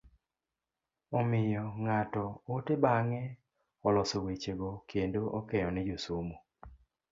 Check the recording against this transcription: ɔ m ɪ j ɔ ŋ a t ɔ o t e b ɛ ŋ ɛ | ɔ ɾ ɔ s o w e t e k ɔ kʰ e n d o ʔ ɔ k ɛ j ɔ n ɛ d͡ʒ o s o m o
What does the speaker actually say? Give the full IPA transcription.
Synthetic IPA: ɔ m ɪ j ɔ ŋ a t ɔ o t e b a ŋ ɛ | ɔ l ɔ s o w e t͡ʃ e ɡ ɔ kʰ e n d o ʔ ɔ k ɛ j ɔ n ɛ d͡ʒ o s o m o